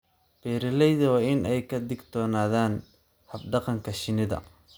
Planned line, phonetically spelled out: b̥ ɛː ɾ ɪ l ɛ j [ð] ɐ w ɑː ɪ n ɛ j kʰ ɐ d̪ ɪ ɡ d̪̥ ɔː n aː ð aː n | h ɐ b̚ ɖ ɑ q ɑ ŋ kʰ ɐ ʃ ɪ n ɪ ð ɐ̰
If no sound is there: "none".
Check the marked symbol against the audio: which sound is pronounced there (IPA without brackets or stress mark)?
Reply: ð